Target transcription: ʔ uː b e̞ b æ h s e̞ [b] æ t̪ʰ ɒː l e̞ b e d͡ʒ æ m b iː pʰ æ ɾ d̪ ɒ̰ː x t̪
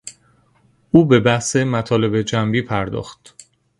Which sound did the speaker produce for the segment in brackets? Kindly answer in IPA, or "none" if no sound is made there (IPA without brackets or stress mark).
m